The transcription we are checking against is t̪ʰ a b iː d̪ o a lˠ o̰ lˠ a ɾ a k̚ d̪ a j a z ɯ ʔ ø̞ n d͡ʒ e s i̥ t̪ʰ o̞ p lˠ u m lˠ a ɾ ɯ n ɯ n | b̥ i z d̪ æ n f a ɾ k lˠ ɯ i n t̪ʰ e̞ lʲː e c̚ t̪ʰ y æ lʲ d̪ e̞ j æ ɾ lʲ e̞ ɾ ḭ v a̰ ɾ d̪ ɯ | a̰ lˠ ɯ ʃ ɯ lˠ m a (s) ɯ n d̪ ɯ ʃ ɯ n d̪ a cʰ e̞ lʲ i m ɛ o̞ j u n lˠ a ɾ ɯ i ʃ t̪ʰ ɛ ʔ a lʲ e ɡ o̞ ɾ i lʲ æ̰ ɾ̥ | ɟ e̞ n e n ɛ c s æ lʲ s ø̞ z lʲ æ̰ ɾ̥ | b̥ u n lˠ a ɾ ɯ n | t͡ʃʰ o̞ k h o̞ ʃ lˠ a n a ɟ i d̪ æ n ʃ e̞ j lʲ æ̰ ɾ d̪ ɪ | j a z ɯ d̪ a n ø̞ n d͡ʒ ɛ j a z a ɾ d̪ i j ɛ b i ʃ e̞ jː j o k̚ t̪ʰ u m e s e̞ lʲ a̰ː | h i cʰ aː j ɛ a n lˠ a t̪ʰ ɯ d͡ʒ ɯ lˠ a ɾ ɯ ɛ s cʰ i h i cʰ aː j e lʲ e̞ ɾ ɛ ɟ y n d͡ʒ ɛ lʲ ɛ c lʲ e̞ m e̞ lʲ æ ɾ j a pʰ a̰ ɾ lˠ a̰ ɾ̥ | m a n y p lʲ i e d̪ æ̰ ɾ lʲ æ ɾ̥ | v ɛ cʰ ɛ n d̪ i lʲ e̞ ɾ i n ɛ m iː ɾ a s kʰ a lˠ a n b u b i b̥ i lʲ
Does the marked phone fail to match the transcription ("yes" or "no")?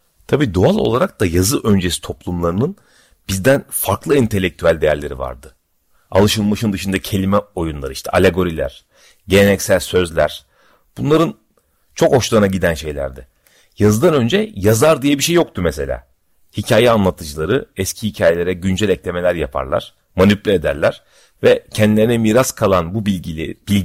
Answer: yes